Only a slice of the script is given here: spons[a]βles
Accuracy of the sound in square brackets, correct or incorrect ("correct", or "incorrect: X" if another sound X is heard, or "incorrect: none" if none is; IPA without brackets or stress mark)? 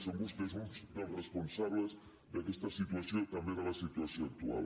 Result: correct